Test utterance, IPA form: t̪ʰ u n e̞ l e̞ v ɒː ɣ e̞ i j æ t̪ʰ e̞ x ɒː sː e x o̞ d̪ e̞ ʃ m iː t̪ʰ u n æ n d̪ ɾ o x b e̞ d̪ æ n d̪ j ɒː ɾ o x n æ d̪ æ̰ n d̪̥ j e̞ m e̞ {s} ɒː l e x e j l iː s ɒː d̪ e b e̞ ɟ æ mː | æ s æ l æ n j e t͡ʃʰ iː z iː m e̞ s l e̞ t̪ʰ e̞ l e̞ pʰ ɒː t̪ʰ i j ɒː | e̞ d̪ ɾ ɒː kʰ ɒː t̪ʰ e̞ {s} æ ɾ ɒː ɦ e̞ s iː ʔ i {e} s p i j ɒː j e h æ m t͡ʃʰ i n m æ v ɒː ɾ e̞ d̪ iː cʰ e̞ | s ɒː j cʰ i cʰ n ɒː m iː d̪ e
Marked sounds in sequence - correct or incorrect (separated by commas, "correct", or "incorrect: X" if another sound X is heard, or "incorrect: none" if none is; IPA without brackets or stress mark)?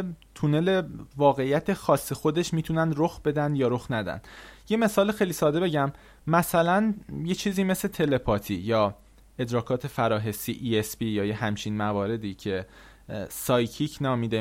correct, incorrect: f, correct